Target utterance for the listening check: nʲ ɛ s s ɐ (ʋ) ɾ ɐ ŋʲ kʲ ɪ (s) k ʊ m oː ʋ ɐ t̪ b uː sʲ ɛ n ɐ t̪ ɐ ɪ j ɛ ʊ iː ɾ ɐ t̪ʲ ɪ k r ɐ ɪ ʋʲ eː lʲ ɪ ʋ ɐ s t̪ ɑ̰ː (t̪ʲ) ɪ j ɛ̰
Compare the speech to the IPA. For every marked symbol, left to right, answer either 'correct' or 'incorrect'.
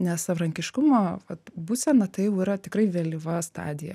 correct, incorrect: ʃ, incorrect: d̪ʲ

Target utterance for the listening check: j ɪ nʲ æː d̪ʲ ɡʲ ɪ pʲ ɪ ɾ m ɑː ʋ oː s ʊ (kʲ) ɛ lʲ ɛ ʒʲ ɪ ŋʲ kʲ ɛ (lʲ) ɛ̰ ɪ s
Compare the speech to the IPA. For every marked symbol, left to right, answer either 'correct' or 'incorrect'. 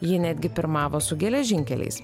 incorrect: ɡʲ, correct

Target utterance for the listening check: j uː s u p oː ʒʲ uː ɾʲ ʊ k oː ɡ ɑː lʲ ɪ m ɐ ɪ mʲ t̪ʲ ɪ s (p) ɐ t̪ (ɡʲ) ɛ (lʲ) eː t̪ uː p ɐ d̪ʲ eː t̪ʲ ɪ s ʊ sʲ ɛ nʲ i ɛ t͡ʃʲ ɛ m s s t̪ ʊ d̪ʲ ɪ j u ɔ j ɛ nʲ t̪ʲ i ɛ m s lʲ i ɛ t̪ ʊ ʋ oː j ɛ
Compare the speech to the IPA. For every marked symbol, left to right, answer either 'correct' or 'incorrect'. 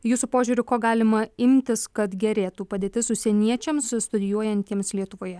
incorrect: k, correct, incorrect: ɾʲ

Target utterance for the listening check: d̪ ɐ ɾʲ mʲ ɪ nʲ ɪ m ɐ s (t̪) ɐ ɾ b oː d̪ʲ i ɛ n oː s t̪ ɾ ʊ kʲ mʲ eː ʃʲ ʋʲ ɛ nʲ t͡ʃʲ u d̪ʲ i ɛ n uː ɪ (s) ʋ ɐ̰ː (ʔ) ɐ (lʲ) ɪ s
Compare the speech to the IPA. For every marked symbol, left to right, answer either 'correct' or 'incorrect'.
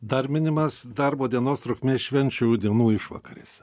incorrect: d̪, incorrect: ʃ, incorrect: k, incorrect: ɾʲ

